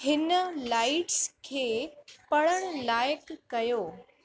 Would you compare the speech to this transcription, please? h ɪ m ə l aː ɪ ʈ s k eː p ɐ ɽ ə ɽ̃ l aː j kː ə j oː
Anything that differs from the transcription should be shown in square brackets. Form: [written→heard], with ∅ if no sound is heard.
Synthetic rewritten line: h ɪ [m→n] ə l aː ɪ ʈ s [k→kʰ] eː p ɐ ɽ ə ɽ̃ l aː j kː [ə→ɐ] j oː